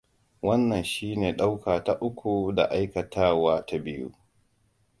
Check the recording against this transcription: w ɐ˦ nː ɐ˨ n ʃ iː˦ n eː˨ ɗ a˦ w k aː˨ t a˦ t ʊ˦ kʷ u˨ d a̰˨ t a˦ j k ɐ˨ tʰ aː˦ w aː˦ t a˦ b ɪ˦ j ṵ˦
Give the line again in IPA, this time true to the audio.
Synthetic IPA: w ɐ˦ nː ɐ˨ n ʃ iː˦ n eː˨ ɗ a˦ w k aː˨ t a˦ ʔ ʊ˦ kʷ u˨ d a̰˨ ʔ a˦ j k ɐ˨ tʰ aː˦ w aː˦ t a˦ b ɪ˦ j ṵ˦